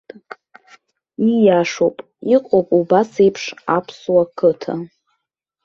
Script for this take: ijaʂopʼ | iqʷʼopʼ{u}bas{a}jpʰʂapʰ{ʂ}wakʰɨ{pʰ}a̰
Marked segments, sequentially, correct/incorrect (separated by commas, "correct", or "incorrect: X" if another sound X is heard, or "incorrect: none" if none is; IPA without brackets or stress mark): correct, incorrect: e, incorrect: s, incorrect: tʰ